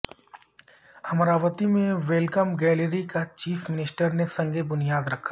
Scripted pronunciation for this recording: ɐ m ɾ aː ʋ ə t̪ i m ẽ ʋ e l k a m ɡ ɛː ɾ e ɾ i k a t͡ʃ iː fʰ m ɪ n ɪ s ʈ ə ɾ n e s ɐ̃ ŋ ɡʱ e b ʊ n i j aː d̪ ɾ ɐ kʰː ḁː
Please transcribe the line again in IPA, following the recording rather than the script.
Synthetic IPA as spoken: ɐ m ɾ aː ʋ ə t̪ i m ẽ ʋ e l k ə m ɡ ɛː l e ɾ i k a t͡ʃ iː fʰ m ɪ n ɪ s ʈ ə ɾ n e s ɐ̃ ŋ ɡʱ e b ʊ n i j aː d̪ ɾ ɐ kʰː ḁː